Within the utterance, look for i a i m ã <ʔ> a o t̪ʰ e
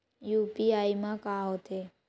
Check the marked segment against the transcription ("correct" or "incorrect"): incorrect